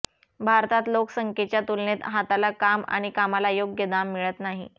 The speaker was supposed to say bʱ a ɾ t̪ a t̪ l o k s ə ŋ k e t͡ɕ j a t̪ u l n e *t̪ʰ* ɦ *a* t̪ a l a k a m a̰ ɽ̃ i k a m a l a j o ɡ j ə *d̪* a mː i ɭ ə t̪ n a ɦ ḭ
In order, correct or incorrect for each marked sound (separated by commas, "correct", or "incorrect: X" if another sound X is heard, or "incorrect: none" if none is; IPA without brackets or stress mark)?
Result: incorrect: t̪, correct, correct